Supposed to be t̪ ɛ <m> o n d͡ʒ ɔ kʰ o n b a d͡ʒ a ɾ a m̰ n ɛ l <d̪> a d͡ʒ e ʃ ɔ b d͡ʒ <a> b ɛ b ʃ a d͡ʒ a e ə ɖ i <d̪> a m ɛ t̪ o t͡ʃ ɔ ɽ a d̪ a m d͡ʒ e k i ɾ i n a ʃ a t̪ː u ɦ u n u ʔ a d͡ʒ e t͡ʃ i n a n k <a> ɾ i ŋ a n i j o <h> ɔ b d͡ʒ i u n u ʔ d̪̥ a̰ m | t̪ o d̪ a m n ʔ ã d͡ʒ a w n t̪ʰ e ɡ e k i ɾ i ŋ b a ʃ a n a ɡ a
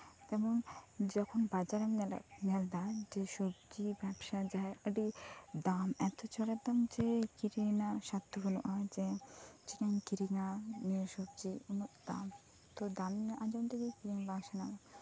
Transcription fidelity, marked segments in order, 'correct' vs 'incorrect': correct, correct, incorrect: i, correct, incorrect: i, incorrect: ʃ

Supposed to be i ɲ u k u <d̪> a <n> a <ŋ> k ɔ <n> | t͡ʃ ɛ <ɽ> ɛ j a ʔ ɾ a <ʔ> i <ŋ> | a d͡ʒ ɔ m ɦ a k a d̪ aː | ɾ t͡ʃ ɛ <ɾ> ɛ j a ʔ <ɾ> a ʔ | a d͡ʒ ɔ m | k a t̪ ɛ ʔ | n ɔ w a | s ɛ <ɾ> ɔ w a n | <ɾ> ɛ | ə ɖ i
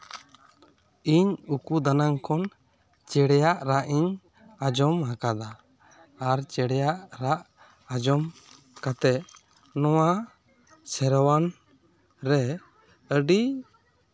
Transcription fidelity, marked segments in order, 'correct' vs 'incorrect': correct, correct, correct, correct, correct, correct, incorrect: ɲ, incorrect: ɽ, correct, correct, correct

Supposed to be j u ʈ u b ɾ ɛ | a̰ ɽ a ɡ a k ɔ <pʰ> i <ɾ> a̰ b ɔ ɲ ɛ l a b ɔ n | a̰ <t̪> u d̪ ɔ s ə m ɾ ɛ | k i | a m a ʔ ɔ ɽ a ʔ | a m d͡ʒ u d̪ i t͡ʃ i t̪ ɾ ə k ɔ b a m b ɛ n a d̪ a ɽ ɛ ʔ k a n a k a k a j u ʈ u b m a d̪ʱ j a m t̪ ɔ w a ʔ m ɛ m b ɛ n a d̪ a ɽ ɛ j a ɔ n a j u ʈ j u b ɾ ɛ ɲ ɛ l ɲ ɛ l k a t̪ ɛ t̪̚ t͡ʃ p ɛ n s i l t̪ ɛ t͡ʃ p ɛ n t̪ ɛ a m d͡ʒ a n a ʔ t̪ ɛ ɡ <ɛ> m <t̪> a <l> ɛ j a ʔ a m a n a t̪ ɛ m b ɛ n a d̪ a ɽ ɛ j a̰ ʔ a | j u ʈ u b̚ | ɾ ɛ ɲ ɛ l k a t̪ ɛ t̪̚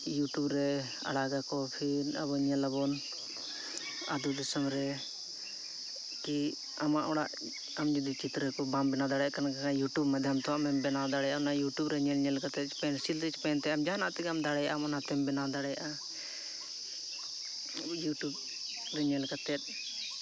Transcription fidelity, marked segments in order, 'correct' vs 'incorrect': correct, correct, incorrect: d̪, incorrect: a, incorrect: d̪, incorrect: ɽ

